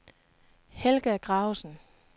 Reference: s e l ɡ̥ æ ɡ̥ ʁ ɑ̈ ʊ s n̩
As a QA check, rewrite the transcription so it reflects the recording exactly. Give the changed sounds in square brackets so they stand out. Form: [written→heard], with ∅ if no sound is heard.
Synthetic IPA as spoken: [s→h] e l ɡ̥ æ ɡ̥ ʁ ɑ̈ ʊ s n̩